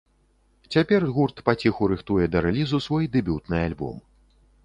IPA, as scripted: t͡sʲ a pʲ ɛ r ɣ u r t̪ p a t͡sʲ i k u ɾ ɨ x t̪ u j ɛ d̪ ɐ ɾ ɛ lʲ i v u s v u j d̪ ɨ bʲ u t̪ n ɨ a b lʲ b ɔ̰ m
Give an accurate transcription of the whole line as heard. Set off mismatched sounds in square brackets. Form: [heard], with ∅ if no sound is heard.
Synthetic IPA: t͡sʲ a pʲ ɛ r ɣ u r t̪ p a t͡sʲ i [x] u ɾ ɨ x t̪ u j ɛ d̪ ɐ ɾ ɛ lʲ i [z] u s v [ɔ] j d̪ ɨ bʲ u t̪ n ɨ a [∅] lʲ b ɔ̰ m